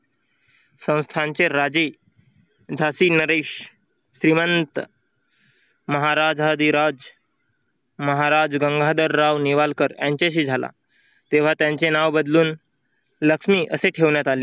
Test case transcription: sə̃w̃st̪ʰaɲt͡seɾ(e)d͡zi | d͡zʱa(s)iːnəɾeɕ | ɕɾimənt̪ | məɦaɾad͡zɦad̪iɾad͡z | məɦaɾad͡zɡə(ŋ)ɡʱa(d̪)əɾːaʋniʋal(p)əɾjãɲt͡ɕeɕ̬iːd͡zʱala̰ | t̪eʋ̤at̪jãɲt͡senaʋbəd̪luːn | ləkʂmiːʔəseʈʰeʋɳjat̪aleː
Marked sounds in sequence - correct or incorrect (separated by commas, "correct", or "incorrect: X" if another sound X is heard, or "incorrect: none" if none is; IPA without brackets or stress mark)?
incorrect: a, correct, correct, correct, incorrect: k